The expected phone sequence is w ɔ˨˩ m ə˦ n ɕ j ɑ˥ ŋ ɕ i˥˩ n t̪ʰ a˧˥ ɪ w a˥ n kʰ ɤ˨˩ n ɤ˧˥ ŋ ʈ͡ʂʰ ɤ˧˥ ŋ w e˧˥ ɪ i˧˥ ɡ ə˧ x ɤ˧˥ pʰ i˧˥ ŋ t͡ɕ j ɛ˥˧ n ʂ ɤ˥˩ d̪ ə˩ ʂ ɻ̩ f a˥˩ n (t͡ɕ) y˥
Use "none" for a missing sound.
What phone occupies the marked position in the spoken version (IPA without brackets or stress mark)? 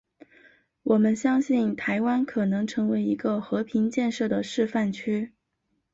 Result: t͡ɕʰ